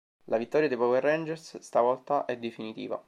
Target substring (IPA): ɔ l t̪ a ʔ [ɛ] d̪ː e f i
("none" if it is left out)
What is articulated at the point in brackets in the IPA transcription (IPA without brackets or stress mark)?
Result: ɛ